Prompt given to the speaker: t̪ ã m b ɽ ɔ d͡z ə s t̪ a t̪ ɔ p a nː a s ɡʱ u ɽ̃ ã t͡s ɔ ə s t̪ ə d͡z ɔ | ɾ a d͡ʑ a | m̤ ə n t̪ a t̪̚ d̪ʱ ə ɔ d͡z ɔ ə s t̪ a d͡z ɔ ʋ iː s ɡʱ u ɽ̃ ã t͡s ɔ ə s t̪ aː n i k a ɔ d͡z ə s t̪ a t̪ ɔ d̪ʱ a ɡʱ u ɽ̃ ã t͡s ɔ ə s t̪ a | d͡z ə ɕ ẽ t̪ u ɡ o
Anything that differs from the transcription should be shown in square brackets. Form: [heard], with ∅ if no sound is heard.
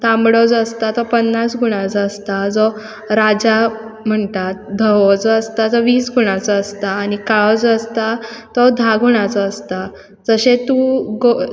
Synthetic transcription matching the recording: t̪ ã m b ɽ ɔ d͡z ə s t̪ a t̪ ɔ p [ə] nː a s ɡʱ u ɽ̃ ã t͡s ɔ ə s t̪ [a] d͡z ɔ | ɾ a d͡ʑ a | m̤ ə [ɳ] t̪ a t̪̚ d̪ʱ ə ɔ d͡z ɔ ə s t̪ a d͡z ɔ ʋ iː s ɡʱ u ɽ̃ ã t͡s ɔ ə s t̪ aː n i k a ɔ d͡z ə s t̪ a t̪ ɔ d̪ʱ a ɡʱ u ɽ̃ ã t͡s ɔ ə s t̪ a | d͡z ə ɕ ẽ t̪ u ɡ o